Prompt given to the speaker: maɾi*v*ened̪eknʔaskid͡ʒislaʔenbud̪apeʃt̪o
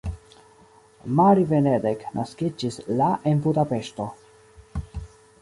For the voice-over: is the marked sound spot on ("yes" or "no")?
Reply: yes